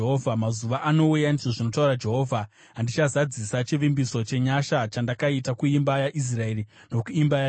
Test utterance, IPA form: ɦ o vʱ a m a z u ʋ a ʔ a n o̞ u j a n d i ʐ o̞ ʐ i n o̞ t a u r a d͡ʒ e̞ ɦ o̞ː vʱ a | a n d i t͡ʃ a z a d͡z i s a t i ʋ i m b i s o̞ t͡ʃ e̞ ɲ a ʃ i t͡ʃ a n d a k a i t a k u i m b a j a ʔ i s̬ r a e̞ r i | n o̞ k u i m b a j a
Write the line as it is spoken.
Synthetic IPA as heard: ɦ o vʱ a m a z u ʋ a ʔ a n o̞ u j a n d i ʐ o̞ ʐ i n o̞ t a u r a d͡ʒ e̞ ɦ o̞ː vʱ a | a n d i t͡ʃ a z a d͡z i s a t͡ʃ i ʋ i m b i s o̞ t͡ʃ e̞ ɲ a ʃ a t͡ʃ a n d a k a i t a k u i m b a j a ʔ i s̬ r a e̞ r i | n o̞ k u i m b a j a